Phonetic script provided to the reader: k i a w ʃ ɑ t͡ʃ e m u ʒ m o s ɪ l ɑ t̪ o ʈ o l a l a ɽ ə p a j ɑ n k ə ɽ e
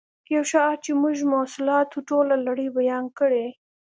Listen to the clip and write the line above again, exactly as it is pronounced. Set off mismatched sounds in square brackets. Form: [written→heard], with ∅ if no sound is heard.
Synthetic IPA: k [i→j] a w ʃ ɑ t͡ʃ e m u ʒ m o s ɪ l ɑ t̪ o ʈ o l a l a ɽ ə [p→b] a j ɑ n k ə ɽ e